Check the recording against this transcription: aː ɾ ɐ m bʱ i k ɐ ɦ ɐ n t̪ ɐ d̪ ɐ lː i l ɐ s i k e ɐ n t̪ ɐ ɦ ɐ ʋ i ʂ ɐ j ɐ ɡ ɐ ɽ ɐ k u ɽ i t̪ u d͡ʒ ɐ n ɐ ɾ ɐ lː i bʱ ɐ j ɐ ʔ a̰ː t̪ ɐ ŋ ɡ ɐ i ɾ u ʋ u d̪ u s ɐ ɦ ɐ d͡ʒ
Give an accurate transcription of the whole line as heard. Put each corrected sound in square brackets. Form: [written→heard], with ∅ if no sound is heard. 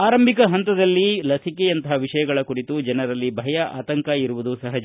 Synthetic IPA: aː ɾ ɐ m bʱ i k ɐ ɦ ɐ n t̪ ɐ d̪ ɐ lː i l ɐ s i k e ɐ n t̪ ɐ ɦ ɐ ʋ i ʂ ɐ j ɐ ɡ ɐ [ɽ→ɭ] ɐ k u ɽ i t̪ u d͡ʒ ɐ n ɐ ɾ ɐ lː i bʱ ɐ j ɐ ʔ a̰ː t̪ ɐ ŋ [ɡ→k] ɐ i ɾ u ʋ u d̪ u s ɐ ɦ ɐ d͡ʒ